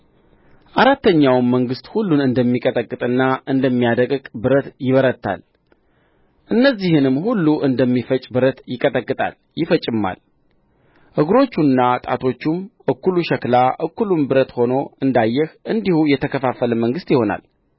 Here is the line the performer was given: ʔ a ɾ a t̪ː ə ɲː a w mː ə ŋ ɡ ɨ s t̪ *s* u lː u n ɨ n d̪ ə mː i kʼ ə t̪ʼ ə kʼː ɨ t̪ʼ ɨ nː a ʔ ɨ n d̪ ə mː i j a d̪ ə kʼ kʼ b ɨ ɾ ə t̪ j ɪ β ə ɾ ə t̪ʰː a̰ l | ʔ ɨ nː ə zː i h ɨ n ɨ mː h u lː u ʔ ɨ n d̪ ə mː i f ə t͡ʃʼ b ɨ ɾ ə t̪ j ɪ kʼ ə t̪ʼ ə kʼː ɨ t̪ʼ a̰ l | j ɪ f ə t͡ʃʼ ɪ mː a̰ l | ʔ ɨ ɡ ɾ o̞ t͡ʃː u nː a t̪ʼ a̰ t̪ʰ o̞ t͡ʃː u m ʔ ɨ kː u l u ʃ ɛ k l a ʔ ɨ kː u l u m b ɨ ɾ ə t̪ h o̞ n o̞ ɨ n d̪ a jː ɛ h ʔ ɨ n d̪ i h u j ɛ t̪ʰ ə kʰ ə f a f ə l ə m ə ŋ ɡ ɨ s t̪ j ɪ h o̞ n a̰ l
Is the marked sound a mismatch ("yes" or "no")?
yes